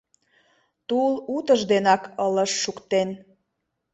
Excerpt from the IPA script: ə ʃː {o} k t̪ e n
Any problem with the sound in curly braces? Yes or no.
yes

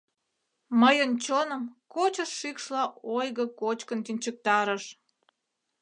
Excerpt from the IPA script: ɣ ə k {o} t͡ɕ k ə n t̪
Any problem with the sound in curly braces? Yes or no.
no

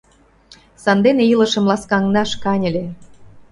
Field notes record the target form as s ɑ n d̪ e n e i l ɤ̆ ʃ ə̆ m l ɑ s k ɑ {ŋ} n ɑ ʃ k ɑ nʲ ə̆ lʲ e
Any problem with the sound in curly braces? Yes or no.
no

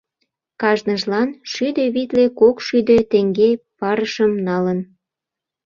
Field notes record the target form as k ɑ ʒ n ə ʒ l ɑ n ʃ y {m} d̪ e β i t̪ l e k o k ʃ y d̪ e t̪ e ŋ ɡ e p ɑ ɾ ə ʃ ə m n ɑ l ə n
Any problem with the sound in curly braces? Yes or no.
yes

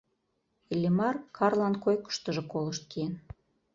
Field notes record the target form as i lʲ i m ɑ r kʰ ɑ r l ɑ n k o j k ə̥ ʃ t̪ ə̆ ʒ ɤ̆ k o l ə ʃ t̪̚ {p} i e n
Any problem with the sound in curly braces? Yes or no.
yes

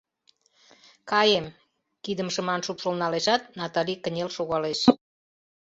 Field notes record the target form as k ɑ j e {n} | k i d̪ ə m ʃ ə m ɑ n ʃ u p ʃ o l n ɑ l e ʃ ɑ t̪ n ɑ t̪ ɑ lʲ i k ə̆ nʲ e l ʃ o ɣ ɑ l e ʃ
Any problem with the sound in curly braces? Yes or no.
yes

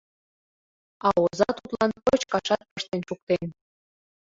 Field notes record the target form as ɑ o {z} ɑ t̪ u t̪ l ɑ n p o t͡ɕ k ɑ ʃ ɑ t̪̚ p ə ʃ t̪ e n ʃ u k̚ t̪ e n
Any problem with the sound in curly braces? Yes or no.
no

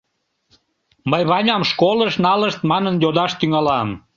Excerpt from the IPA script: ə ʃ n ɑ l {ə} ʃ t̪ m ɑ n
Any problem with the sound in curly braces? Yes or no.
no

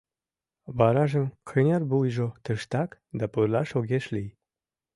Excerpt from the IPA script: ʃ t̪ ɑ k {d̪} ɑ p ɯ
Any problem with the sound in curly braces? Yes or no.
no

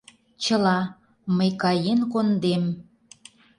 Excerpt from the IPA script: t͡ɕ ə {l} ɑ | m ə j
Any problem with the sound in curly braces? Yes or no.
no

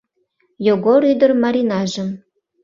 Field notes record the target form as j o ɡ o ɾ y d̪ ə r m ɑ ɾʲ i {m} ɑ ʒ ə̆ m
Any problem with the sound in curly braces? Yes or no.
yes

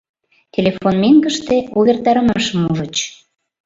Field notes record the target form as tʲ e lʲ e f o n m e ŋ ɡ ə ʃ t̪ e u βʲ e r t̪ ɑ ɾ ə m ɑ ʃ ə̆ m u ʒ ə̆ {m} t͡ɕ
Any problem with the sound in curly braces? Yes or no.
yes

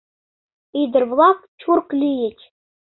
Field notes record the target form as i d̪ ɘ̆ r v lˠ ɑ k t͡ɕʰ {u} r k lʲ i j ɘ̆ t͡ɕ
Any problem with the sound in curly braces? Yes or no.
no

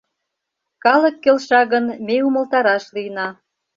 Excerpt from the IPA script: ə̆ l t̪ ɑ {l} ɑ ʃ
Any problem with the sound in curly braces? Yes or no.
yes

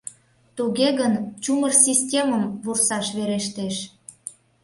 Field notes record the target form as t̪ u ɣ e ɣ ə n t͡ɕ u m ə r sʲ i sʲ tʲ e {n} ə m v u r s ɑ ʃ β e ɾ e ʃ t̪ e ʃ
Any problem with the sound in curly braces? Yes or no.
yes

